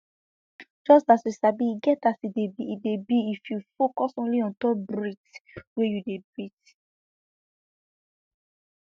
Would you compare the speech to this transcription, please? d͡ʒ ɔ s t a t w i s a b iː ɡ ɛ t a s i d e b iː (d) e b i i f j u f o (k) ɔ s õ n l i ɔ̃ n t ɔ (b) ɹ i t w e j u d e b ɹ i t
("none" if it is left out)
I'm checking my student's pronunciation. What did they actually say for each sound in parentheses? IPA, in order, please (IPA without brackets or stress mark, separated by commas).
d, k, b